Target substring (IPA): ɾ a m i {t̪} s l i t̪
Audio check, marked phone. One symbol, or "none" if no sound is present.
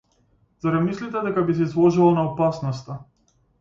none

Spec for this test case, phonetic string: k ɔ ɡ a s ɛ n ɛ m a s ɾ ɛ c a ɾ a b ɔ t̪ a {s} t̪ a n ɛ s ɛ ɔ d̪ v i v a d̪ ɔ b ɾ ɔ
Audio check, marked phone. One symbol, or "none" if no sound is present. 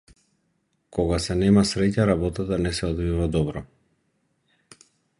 none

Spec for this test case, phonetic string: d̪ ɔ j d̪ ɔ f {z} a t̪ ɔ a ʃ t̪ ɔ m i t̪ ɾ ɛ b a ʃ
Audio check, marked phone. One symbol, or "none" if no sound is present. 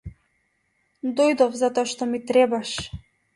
z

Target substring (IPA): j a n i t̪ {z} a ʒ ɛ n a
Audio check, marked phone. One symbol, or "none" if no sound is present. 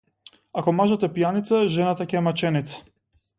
s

